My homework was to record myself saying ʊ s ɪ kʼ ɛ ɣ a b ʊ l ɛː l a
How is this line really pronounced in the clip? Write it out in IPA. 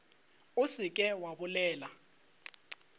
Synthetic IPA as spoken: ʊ s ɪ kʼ ɛ w a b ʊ l ɛː l a